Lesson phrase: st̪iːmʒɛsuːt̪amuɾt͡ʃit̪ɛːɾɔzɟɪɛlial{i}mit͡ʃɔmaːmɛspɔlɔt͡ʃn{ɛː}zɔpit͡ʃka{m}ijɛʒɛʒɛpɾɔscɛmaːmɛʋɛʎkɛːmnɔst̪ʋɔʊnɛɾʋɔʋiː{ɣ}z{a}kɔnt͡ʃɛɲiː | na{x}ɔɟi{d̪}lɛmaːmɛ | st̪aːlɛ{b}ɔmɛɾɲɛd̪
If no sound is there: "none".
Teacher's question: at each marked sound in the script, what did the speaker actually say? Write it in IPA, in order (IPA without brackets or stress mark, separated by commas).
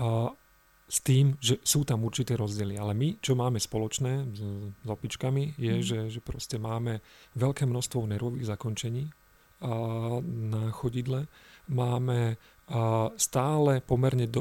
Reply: ɛ, ɛː, m, ɣ, a, x, d̪, p